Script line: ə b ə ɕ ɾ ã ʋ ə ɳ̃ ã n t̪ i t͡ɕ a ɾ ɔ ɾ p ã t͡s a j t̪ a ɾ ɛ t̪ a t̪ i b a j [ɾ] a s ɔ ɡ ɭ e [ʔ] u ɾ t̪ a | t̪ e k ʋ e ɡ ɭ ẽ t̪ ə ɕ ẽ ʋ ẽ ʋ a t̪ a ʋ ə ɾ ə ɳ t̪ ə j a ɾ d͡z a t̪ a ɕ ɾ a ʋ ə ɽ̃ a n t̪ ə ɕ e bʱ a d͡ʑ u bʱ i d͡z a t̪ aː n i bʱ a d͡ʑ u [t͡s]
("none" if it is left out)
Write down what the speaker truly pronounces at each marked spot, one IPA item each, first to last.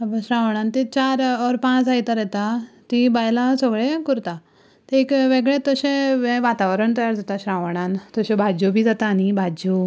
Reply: l, k, none

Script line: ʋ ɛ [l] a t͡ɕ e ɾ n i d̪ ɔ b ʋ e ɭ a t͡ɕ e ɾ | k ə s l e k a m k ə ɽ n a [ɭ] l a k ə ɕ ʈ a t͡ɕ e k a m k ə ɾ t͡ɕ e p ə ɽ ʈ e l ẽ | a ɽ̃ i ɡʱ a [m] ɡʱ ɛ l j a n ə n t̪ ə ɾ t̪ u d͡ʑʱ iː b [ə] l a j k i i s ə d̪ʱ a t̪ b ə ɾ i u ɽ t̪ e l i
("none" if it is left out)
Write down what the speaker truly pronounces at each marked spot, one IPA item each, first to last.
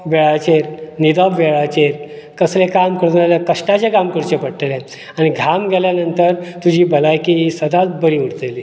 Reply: ɭ, none, m, ə

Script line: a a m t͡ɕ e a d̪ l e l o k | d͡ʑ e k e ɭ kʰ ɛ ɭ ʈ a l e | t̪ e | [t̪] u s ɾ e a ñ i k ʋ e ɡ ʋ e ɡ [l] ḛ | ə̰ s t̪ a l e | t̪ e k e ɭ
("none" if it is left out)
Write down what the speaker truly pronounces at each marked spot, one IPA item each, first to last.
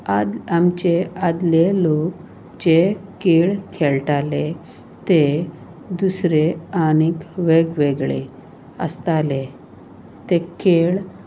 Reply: d̪, ɭ

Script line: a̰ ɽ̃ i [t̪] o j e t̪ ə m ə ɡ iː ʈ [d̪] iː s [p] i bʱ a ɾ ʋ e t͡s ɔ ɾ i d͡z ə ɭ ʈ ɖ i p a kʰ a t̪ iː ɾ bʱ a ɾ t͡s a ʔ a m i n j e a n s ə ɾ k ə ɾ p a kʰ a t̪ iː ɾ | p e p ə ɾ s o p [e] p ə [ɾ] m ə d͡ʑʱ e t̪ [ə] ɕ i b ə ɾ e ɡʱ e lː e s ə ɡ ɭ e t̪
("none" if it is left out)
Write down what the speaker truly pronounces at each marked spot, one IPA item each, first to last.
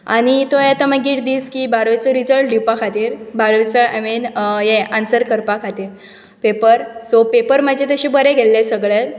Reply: t̪, d̪, k, e, ɾ, ə

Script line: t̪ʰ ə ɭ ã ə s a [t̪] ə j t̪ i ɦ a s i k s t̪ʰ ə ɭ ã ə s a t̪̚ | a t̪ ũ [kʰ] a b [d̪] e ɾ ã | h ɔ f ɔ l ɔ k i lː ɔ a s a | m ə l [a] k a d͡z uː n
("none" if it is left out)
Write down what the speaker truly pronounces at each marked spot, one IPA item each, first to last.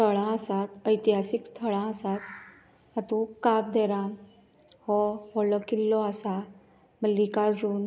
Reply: t̪, k, d̪, i

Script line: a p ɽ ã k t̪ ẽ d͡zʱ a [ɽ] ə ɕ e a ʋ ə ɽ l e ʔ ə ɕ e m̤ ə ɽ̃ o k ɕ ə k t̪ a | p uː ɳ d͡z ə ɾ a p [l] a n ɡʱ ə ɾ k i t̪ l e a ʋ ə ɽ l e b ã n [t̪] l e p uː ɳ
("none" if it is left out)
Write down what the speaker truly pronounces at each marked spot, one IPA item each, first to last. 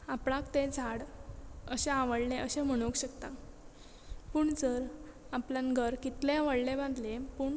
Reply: ɽ, l, d̪

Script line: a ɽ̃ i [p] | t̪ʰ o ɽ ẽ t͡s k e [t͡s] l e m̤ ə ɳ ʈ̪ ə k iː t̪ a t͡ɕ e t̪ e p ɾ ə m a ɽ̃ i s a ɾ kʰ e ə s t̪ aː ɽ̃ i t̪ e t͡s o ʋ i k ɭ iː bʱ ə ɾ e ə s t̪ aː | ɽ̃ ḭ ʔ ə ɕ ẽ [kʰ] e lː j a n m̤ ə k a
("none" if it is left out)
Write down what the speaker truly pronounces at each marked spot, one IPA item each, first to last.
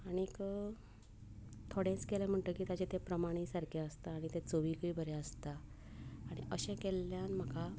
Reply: k, none, k

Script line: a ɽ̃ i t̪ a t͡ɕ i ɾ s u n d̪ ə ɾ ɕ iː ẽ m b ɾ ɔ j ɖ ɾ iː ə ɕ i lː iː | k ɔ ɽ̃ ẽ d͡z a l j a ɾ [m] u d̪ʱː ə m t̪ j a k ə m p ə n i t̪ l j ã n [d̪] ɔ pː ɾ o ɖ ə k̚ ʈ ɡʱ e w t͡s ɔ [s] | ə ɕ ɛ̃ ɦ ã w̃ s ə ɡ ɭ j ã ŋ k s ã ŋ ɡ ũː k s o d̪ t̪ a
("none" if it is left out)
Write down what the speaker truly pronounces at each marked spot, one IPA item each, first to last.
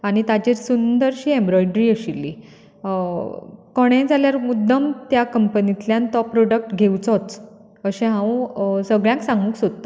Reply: m, t̪, t͡s

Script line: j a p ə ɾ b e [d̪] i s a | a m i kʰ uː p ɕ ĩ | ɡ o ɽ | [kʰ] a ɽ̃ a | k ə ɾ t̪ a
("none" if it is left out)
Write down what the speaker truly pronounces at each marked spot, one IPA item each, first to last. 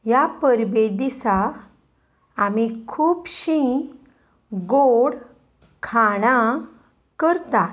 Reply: d̪, kʰ

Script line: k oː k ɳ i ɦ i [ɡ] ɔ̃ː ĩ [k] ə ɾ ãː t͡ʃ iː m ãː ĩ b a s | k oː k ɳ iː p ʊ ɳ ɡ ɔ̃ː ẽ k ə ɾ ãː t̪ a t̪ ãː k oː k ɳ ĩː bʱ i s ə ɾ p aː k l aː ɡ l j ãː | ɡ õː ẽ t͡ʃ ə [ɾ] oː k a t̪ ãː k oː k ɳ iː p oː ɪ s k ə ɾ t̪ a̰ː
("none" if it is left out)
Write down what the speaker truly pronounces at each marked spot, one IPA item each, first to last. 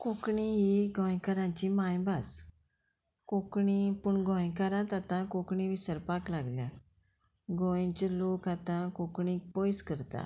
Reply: ɡ, k, l

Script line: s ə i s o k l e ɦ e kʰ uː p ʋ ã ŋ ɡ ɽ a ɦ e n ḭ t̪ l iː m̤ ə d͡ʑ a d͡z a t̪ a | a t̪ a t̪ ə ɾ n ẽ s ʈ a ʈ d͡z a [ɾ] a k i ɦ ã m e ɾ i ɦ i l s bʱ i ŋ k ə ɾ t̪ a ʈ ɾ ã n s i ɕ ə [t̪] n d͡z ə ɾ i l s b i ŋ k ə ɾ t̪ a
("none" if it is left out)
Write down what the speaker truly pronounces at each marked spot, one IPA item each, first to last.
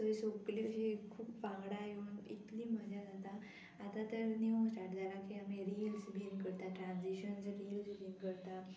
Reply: l, none

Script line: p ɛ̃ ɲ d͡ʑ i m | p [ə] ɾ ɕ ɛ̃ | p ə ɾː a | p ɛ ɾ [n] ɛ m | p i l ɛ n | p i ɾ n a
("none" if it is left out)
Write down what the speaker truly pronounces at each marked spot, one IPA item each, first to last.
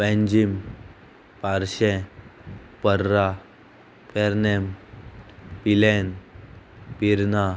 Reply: a, n

